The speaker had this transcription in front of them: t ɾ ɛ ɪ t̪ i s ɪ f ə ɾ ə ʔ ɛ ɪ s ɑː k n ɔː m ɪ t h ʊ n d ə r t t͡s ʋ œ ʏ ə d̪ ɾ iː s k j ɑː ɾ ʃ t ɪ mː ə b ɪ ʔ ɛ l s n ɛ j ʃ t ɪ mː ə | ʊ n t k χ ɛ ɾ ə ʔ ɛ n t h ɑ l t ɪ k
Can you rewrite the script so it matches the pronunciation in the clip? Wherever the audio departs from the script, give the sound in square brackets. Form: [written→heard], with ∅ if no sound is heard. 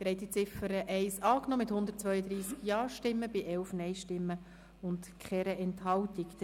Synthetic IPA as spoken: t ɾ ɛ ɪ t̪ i [s→t͡s] ɪ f ə ɾ ə ʔ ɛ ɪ s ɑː k n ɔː m ɪ t h ʊ n d ə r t t͡s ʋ œ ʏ ə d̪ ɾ iː s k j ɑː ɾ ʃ t ɪ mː ə b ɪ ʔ ɛ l [s→f] n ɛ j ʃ t ɪ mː ə | ʊ n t k χ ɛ ɾ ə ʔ ɛ n t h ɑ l t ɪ k